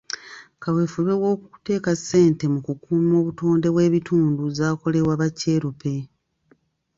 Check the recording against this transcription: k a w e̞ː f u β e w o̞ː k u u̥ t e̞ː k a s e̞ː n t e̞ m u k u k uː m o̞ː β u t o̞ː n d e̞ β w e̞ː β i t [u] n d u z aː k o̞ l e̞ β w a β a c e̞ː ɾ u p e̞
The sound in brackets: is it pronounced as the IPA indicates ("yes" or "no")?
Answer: no